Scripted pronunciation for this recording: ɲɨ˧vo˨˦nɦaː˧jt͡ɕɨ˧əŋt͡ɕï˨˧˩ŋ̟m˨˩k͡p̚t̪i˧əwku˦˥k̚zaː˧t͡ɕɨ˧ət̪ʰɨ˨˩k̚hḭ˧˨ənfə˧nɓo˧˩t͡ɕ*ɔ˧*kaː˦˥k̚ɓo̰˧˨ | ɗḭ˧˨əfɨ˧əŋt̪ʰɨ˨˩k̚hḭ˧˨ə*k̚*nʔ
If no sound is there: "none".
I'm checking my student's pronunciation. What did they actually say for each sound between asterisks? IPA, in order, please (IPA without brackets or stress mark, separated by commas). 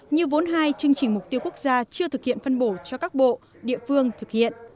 ɔ˧, none